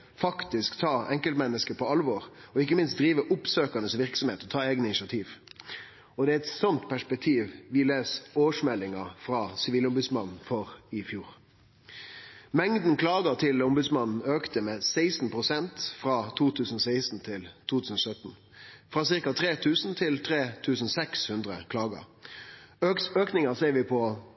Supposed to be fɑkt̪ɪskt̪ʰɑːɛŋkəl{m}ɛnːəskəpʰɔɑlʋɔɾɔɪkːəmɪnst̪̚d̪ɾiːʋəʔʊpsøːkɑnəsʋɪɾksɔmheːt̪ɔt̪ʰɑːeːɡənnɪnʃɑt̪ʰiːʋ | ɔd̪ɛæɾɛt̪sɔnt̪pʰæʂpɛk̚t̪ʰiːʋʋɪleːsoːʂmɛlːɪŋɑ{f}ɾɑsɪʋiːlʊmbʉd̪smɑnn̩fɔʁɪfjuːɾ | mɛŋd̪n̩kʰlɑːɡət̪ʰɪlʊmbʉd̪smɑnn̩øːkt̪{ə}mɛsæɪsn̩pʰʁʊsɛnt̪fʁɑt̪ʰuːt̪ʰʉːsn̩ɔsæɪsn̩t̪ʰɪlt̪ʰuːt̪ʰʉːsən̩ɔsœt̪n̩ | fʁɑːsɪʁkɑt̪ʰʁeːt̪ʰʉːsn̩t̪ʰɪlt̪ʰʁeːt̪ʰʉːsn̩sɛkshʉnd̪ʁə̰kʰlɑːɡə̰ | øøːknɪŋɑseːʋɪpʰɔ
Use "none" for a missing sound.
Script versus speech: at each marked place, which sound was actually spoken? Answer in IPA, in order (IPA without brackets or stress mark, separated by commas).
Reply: m, f, ə